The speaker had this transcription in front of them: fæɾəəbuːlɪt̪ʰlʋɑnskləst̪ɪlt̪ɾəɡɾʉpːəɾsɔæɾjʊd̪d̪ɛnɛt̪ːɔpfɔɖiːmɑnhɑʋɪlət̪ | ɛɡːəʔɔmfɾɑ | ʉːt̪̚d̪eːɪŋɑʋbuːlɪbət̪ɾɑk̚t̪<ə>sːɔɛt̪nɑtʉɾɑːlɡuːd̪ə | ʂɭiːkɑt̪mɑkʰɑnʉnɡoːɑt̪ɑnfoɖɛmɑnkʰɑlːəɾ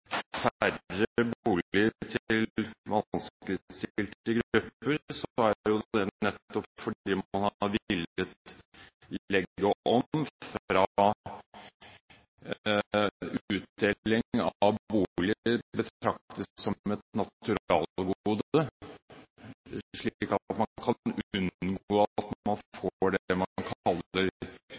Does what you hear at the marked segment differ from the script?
no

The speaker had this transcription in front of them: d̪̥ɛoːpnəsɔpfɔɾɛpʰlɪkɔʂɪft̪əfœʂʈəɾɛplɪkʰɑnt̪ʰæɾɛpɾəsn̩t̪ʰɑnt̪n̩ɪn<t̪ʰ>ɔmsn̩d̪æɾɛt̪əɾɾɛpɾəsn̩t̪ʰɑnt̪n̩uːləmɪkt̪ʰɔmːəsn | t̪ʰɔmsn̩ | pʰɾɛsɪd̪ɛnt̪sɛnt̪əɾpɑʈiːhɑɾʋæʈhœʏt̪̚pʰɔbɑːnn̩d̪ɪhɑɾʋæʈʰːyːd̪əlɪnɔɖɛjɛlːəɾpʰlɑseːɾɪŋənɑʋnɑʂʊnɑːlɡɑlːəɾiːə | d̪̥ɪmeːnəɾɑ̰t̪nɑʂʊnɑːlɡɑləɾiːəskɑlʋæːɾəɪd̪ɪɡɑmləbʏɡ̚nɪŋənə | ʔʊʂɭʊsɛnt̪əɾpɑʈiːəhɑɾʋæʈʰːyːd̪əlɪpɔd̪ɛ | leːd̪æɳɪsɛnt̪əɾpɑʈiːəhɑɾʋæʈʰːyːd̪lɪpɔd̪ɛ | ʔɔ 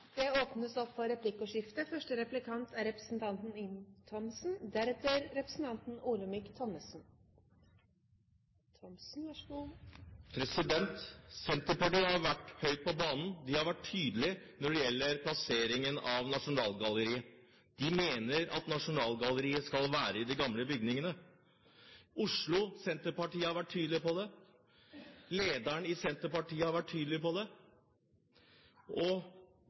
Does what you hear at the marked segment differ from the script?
no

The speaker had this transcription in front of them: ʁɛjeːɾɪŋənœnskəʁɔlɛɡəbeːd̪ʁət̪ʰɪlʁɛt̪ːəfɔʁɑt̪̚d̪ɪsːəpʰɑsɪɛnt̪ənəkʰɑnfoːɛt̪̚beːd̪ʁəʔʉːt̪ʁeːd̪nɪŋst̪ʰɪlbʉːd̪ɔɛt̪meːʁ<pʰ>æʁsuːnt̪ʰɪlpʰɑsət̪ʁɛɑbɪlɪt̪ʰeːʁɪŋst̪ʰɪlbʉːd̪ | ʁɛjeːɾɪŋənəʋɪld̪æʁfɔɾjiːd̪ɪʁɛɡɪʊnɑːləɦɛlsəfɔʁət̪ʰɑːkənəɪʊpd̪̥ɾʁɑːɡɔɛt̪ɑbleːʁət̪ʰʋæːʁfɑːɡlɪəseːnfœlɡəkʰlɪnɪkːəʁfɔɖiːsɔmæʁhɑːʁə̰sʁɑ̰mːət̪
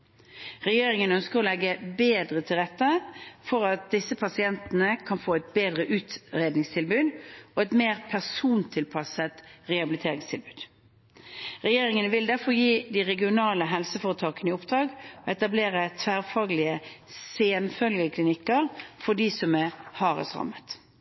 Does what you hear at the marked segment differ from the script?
no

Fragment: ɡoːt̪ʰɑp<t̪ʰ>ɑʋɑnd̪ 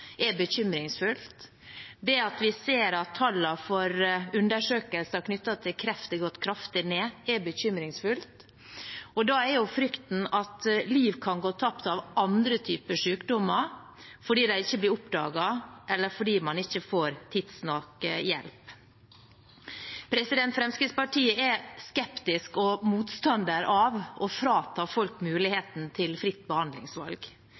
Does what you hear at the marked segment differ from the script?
yes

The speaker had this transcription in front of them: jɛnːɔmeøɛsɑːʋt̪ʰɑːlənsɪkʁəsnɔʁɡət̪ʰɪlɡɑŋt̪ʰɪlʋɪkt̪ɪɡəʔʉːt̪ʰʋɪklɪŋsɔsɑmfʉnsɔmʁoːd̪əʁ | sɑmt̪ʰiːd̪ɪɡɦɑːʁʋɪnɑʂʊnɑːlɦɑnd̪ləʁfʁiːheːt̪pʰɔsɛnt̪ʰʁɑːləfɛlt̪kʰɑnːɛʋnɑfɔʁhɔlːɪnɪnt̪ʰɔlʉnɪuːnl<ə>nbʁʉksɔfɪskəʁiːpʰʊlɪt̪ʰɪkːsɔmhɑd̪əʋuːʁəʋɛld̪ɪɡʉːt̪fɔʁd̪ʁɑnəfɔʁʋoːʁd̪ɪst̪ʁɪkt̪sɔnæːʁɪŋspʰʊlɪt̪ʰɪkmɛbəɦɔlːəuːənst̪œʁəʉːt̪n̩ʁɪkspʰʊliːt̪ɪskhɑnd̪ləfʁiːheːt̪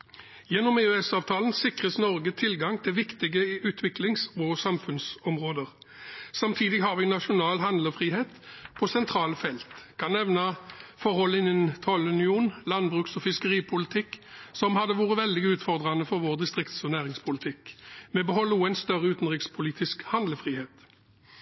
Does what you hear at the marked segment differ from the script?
yes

